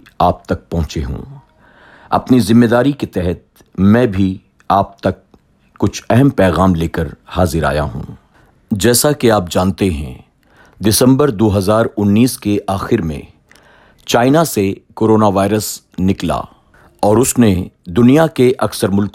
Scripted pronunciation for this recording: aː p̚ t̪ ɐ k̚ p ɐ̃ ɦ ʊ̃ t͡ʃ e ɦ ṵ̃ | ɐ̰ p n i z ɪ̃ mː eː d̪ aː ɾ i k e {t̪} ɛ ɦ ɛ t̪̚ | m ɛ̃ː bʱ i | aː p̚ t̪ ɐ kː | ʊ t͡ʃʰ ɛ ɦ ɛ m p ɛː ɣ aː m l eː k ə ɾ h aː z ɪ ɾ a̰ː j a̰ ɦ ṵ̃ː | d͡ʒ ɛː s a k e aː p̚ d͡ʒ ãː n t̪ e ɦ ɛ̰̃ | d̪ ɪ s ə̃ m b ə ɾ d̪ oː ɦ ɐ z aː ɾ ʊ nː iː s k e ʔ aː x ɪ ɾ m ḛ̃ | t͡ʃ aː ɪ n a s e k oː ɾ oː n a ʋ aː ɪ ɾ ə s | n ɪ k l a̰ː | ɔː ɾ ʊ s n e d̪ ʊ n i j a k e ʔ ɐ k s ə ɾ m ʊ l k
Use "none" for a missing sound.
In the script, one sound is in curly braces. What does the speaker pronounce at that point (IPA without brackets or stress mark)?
t̪